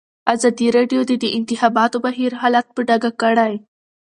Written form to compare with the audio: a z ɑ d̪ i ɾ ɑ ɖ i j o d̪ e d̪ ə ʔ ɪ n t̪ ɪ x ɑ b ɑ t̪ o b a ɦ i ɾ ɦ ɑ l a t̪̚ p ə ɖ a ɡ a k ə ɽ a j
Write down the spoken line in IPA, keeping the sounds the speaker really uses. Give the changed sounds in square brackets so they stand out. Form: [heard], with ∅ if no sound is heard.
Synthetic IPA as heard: a z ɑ d̪ i ɾ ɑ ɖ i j o d̪ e d̪ ə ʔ ɪ n t̪ ɪ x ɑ b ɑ t̪ o b a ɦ i ɾ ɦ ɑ l a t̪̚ p ə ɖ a ɡ a k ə ɽ a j